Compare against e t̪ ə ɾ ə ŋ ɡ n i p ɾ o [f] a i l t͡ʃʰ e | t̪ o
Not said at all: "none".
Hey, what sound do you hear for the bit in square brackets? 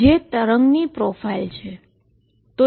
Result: f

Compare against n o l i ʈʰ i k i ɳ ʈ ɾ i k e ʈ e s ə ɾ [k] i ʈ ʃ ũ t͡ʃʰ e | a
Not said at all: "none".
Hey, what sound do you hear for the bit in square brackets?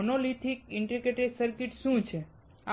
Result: k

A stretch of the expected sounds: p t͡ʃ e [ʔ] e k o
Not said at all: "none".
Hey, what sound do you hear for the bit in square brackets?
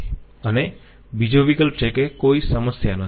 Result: k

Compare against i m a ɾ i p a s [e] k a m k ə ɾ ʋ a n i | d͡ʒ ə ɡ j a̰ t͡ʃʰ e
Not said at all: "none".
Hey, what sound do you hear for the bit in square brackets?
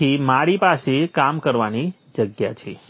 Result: e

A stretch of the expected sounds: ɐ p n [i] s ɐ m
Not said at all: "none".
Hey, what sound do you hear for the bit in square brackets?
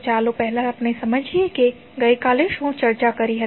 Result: e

